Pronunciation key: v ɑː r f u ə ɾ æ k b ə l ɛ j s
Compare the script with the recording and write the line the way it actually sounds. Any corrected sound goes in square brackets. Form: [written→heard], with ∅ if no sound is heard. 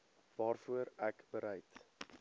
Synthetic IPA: v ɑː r f u ə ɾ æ k b ə [l→ɾ] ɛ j [s→t]